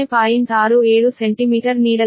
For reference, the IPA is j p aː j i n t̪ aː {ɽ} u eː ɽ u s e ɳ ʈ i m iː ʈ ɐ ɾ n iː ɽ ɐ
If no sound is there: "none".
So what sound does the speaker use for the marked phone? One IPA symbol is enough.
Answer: ɾ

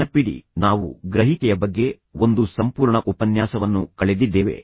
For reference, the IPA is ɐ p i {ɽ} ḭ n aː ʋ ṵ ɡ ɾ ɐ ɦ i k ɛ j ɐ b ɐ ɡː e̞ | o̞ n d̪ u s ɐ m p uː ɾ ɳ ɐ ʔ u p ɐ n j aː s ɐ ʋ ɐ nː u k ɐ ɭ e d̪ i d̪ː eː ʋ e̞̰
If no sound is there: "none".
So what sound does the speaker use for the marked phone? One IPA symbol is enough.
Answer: ɽ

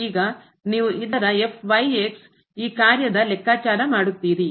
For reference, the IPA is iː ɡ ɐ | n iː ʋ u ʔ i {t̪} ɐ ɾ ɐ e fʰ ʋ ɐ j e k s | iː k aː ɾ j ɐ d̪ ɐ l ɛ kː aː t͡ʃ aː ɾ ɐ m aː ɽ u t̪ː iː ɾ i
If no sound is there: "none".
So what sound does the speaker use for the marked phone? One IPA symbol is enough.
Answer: d̪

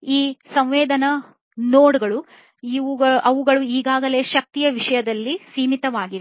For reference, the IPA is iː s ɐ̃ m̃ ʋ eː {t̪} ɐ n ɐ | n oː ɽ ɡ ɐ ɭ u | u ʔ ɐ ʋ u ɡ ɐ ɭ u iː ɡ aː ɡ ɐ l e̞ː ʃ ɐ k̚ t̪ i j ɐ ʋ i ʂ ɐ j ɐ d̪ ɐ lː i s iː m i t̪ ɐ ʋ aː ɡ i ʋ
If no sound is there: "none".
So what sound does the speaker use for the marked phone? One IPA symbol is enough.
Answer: d̪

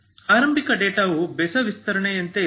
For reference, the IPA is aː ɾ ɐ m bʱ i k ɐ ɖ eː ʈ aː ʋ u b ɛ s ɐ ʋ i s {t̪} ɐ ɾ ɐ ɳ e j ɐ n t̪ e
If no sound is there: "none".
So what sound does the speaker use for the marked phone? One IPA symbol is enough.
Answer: t̪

